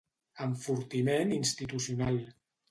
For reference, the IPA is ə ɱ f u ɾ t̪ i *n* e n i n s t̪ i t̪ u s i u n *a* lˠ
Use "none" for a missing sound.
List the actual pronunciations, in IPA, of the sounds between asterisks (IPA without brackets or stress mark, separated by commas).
m, a